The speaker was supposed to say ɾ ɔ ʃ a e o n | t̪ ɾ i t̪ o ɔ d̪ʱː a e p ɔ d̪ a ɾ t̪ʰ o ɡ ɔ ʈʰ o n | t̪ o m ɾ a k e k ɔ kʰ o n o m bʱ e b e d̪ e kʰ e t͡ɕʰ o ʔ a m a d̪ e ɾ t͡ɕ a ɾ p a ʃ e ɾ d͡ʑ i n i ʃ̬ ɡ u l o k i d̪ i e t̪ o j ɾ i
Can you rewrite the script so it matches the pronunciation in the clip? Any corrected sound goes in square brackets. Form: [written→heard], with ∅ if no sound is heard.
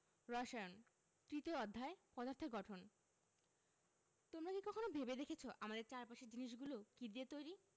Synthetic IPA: ɾ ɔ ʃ a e o n | t̪ ɾ i t̪ o ɔ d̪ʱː a e p ɔ d̪ a ɾ t̪ʰ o ɡ ɔ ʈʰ o n | t̪ o m ɾ a k [e→i] k ɔ kʰ o n o [m→∅] bʱ e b e d̪ e kʰ e t͡ɕʰ o ʔ a m a d̪ e ɾ t͡ɕ a ɾ p a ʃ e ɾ d͡ʑ i n i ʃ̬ ɡ u l o k i d̪ i e t̪ o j ɾ i

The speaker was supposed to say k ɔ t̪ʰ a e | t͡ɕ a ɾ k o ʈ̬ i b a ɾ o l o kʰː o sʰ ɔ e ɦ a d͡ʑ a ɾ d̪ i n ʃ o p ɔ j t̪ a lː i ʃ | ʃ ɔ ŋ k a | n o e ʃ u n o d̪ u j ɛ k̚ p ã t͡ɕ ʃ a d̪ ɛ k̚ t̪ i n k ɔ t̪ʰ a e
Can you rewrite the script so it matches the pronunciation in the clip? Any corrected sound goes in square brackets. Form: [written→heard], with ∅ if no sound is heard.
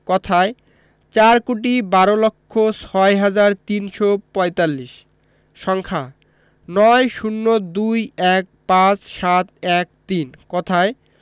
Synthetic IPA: k ɔ t̪ʰ a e | t͡ɕ a ɾ k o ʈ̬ i b a ɾ o l o kʰː o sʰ ɔ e ɦ a d͡ʑ a ɾ [d̪→t̪] i n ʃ o p ɔ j t̪ a lː i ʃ | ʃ ɔ ŋ [k→kʰ] a | n [o→ɔ] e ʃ u [n→nː] o d̪ u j ɛ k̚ p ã t͡ɕ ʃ a [d̪→t̪] ɛ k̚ t̪ i n k ɔ t̪ʰ a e

